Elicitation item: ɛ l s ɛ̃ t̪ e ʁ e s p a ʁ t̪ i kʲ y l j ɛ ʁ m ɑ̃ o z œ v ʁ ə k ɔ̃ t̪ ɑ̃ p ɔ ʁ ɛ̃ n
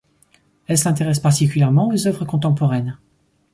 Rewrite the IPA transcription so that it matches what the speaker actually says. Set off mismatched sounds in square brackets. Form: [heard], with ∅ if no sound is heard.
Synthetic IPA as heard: ɛ l s ɛ̃ t̪ e ʁ [ɛ] s p a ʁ t̪ i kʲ y l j ɛ ʁ m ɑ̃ o z œ v ʁ ə k ɔ̃ t̪ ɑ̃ p ɔ ʁ [ɛ] n

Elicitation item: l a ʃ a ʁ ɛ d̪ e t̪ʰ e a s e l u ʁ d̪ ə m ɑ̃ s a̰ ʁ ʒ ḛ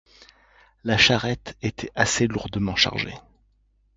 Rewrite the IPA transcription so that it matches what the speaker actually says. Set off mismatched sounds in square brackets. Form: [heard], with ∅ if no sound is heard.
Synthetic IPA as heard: l a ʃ a ʁ ɛ [t̪] e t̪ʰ [ɛ] a s e l u ʁ d̪ ə m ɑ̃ [ʃ] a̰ ʁ ʒ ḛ

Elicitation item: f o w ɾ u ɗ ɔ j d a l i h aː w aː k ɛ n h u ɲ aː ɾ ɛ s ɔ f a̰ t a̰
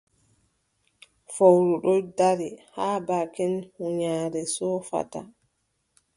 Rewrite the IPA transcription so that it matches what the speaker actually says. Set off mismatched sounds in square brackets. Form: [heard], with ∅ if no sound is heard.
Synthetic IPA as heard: f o w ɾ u ɗ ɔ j d a [ɾ] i h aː [b] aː k ɛ n h u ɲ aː ɾ ɛ s ɔ f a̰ t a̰

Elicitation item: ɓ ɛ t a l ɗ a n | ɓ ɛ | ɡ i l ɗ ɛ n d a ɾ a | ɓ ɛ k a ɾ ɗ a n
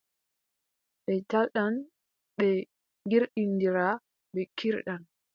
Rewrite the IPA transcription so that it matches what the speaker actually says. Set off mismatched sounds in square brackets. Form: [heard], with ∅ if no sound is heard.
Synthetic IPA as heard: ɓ ɛ t a l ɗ a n | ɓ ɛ | ɡ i [ɾ] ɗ [i] n d [i] ɾ a | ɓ ɛ k [i] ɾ ɗ a n

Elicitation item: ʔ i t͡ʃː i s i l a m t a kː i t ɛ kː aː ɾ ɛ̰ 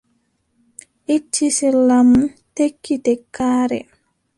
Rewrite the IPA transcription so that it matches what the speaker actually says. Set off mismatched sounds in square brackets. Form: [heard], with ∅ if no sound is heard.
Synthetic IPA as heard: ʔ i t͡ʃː i s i l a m t [e] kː i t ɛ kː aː ɾ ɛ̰

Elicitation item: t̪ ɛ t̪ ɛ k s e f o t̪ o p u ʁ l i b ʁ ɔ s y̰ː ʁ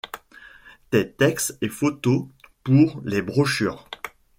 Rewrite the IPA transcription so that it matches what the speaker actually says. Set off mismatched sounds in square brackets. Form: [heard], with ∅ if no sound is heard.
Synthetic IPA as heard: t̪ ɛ t̪ ɛ k s e f o t̪ o p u ʁ l [e] b ʁ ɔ [ʃ] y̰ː ʁ

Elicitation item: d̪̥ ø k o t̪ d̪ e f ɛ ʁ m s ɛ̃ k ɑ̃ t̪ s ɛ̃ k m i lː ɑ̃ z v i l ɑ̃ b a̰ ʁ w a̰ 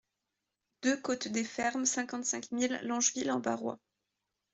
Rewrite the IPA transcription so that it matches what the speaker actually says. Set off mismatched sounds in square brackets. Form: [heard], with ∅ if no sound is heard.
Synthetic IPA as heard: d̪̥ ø k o t̪ d̪ e f ɛ ʁ m s ɛ̃ k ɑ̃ t̪ s ɛ̃ k m i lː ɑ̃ [ʒ] v i l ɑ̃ b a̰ ʁ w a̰

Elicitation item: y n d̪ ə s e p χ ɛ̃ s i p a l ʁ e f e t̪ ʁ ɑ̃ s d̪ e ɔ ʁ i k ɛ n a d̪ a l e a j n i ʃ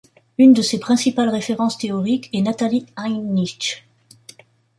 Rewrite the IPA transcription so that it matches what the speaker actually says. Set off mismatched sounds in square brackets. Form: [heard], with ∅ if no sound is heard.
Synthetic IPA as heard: y n d̪ ə s e p χ ɛ̃ s i p a l ʁ e f e [∅] ʁ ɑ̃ s [t̪] e ɔ ʁ i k ɛ n a [t̪] a l [i] a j n i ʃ

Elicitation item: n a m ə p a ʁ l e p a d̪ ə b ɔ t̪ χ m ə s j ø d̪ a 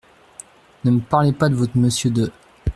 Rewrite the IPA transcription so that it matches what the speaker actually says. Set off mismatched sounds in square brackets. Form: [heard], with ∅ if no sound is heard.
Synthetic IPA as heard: n [ə] m ə p a ʁ l e p a d̪ ə [v] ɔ t̪ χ m ə s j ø d̪ [ə]

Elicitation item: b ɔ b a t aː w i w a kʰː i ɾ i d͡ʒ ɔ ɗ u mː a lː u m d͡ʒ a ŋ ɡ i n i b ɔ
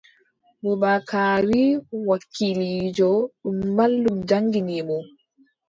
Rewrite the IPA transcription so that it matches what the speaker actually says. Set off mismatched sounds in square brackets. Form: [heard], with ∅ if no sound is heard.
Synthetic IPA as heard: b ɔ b a [k] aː w i w a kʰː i [l] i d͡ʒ ɔ ɗ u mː a lː u m d͡ʒ a ŋ ɡ i n i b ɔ

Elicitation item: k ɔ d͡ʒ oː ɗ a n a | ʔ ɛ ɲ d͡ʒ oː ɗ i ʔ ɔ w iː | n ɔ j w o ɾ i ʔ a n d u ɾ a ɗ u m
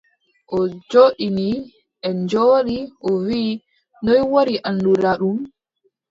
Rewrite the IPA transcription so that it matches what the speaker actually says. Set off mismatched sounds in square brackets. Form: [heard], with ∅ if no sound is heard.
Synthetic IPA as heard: [ʔ] ɔ d͡ʒ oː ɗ [i] n [i] | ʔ ɛ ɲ d͡ʒ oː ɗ i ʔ ɔ w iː | n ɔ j w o ɾ i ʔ a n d u ɾ a ɗ u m

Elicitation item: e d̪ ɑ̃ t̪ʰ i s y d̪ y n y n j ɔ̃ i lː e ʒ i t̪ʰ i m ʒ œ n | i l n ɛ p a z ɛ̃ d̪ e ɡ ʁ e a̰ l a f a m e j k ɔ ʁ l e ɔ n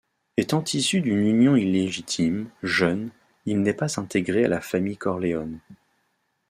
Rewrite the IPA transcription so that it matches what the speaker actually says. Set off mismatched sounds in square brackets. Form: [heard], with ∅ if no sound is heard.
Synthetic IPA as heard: e [t̪] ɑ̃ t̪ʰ i s y d̪ y n y n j ɔ̃ i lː e ʒ i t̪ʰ i m ʒ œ n | i l n ɛ p a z ɛ̃ [t̪] e ɡ ʁ e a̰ l a f a m [i] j k ɔ ʁ l e ɔ n

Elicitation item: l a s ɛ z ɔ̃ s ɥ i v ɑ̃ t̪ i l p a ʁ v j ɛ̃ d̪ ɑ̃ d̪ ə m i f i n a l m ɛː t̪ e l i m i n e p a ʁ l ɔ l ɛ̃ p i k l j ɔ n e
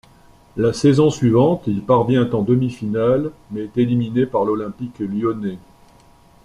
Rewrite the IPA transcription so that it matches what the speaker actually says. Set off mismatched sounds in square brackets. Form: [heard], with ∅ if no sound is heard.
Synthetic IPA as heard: l a s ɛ z ɔ̃ s ɥ i v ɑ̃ t̪ i l p a ʁ v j ɛ̃ [t̪] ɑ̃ d̪ ə m i f i n a l m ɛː t̪ e l i m i n e p a ʁ l ɔ l ɛ̃ p i k l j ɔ n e

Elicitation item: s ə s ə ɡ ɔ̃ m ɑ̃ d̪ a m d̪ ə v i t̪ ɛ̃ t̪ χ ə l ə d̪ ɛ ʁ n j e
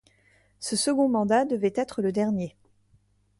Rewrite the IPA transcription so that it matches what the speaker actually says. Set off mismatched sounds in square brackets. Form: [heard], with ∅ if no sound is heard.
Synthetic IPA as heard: s ə s ə ɡ ɔ̃ m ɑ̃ d̪ a [∅] d̪ ə v [ɛ] t̪ [ɛ] t̪ χ ə l ə d̪ ɛ ʁ n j e

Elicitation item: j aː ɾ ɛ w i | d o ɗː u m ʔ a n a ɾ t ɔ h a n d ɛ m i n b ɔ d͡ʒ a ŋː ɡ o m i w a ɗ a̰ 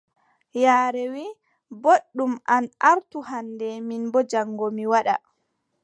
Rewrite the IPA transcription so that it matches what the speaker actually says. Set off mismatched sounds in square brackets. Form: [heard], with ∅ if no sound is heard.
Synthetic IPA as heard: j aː ɾ ɛ w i | [b] o ɗː u m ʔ a n a ɾ t [u] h a n d ɛ m i n b ɔ d͡ʒ a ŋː ɡ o m i w a ɗ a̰

